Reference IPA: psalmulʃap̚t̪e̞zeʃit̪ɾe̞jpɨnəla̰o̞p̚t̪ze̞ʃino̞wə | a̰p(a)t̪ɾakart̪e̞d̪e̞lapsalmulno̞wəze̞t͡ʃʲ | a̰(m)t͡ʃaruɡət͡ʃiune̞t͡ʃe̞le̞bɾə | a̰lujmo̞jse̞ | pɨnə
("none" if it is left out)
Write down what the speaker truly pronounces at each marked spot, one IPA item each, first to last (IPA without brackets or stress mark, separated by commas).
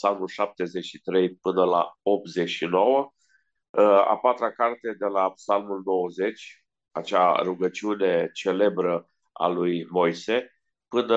a, none